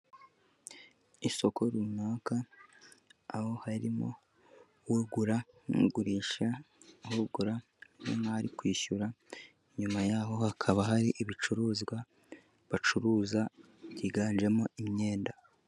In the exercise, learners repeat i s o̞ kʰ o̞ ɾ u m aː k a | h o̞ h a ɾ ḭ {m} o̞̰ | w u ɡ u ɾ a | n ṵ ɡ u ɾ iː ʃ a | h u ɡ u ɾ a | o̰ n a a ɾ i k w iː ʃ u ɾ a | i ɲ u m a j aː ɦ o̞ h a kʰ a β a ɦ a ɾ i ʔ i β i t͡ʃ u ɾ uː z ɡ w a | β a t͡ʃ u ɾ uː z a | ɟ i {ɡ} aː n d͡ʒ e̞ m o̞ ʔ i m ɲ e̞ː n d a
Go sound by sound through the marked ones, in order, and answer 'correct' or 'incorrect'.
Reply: correct, correct

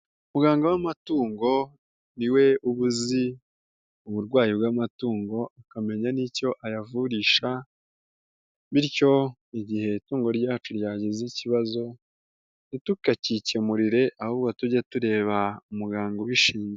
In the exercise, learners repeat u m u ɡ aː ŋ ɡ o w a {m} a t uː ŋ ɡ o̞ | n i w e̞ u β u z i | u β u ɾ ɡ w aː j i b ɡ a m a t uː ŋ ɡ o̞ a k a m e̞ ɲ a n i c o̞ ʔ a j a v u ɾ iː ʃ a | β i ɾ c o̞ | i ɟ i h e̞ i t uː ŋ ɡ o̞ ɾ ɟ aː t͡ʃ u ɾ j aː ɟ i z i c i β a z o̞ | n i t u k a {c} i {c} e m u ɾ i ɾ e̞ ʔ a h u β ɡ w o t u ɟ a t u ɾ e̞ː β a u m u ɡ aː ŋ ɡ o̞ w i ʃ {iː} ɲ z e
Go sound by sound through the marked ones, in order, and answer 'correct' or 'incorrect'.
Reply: correct, correct, correct, correct

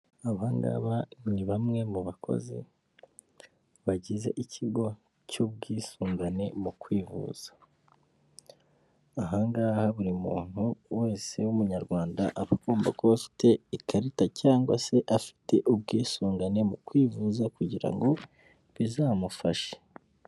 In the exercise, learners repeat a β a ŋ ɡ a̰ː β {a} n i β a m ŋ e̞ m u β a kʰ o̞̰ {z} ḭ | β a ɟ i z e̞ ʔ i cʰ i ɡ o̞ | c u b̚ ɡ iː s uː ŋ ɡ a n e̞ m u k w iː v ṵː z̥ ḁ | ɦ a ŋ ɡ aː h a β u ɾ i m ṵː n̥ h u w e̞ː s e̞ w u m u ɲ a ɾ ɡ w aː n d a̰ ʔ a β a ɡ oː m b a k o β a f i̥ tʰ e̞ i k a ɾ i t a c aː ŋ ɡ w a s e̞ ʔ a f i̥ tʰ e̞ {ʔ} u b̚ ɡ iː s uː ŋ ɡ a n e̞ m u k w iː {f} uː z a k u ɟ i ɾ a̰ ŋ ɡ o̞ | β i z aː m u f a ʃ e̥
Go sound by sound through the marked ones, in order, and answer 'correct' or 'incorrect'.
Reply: correct, correct, correct, incorrect: v

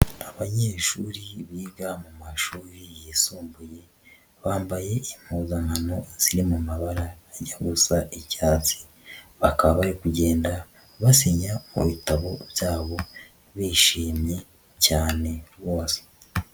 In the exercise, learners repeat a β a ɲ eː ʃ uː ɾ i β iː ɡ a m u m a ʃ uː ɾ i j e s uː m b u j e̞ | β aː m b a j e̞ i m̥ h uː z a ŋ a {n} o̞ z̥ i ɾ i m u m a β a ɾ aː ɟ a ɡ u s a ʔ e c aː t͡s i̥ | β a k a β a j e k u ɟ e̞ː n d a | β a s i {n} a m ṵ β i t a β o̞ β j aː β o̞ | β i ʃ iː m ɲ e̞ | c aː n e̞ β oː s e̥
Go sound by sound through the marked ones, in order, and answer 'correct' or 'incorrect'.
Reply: correct, incorrect: ɲ

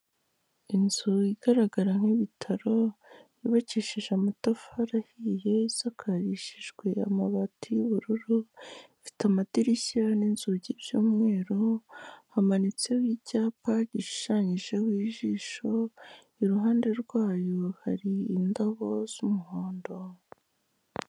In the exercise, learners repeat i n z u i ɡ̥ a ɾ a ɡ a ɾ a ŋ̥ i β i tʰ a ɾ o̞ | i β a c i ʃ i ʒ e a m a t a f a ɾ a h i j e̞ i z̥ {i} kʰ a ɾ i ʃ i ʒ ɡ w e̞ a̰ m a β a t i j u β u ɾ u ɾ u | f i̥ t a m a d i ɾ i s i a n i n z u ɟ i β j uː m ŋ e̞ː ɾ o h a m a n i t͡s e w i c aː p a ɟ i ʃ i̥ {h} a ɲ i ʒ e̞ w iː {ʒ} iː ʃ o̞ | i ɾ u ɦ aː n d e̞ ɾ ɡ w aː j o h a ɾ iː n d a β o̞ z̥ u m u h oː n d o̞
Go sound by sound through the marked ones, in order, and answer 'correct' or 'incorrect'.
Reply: incorrect: a, incorrect: ʃ, correct

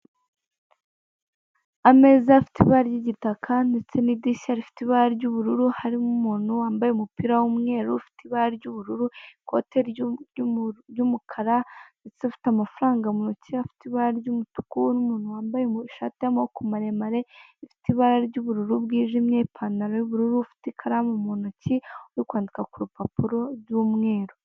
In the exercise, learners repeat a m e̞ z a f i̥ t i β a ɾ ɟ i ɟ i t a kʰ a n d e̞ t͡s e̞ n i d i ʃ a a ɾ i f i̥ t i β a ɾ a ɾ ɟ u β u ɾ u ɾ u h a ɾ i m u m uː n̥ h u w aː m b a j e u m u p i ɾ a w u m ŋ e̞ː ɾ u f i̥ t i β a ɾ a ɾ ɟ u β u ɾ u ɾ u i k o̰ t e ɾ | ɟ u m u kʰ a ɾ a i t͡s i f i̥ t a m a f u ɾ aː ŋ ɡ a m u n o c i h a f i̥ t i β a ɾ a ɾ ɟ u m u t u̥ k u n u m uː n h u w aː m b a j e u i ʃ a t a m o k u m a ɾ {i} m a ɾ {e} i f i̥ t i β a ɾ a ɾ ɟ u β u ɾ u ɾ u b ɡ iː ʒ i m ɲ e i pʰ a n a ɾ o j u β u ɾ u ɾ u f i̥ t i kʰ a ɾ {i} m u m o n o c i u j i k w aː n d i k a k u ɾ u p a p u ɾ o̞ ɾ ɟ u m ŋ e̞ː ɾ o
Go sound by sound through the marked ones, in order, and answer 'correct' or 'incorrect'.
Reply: incorrect: e, correct, incorrect: a

